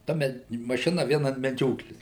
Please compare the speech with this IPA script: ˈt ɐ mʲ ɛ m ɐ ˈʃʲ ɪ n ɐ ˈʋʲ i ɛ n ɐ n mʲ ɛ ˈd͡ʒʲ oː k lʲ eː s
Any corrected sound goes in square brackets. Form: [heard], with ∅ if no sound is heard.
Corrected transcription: ˈt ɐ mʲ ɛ m ɐ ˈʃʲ ɪ n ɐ ˈʋʲ i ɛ n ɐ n mʲ ɛ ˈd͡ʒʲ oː k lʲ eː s